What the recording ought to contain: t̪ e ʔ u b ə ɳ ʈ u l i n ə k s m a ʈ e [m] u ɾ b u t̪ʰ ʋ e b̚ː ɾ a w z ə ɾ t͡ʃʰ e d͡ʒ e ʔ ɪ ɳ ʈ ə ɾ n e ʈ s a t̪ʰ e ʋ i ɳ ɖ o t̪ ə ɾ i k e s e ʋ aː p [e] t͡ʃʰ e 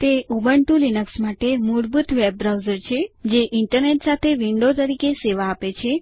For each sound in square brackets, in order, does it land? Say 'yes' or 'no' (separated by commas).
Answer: yes, yes